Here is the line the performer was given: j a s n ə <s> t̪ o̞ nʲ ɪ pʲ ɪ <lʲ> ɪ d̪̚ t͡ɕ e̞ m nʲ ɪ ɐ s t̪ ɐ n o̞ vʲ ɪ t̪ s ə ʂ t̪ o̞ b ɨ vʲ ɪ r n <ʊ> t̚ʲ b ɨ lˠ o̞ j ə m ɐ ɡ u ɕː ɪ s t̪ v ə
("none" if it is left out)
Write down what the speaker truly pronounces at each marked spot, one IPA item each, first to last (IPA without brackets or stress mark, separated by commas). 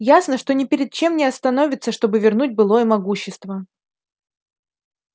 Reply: ʂ, ɾʲ, u